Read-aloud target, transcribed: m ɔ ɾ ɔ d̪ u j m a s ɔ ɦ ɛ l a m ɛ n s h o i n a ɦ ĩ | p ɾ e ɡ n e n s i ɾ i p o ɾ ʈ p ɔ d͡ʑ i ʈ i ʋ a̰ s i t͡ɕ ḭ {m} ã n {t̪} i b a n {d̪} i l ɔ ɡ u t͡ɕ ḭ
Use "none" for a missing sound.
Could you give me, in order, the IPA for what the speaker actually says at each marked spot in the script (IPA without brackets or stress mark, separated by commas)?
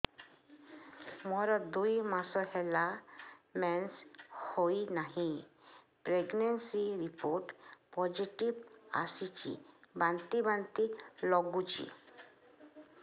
b, t̪, t̪